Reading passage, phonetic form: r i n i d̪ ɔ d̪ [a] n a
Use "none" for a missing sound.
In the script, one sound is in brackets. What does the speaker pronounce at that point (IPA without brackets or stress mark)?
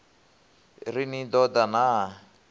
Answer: a